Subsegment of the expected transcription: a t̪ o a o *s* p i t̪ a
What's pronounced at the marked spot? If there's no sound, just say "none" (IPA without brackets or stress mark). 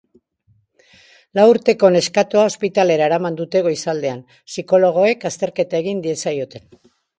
s